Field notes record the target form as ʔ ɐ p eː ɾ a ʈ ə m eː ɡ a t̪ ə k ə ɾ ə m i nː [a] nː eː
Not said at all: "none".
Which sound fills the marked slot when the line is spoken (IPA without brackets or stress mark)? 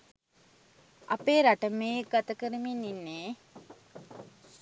i